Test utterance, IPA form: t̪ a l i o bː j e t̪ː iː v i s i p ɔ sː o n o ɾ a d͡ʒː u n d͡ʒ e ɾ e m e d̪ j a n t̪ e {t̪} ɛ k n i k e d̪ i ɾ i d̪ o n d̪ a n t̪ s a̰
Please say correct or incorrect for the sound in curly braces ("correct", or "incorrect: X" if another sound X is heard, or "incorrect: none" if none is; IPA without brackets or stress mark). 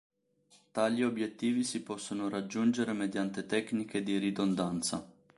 correct